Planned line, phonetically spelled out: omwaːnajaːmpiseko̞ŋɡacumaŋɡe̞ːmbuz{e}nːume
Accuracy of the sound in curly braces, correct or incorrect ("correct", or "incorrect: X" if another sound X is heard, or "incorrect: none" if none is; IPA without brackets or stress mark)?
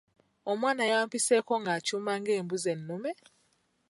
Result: correct